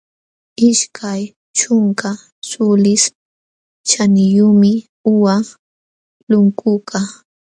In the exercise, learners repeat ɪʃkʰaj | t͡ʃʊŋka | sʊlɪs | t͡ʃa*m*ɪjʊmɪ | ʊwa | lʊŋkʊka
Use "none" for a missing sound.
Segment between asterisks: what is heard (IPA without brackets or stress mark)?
n